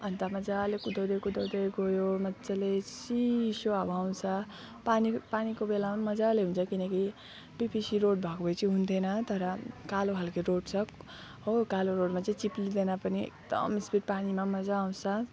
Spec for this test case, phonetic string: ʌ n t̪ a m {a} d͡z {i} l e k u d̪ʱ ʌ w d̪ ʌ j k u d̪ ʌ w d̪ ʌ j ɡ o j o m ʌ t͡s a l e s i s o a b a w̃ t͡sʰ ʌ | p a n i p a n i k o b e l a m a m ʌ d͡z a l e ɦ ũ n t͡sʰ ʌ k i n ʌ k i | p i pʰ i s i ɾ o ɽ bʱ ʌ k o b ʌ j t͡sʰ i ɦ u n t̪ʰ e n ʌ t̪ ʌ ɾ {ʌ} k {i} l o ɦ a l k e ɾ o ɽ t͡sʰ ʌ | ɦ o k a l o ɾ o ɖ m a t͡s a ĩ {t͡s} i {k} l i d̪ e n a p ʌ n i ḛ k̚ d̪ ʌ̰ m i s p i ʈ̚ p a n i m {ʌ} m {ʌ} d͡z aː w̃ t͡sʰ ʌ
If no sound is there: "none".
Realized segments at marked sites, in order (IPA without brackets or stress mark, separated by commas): ʌ, a, ʌ, a, t͡s, p, a, ʌ